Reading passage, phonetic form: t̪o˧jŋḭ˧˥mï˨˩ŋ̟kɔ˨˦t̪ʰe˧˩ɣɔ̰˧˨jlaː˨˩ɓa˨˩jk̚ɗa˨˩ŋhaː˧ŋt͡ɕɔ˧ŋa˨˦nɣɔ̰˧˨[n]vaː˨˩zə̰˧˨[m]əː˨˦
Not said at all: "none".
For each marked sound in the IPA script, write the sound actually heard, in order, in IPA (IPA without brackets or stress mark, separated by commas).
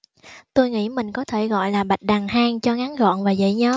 n, ɲ